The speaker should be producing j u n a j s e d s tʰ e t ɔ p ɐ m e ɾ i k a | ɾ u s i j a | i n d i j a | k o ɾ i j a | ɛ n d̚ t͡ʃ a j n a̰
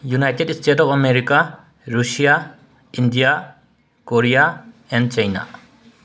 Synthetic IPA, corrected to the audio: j u n a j t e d s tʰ e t ɔ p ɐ m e ɾ i k a | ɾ u s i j a | i n d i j a | k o ɾ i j a | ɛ n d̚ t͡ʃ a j n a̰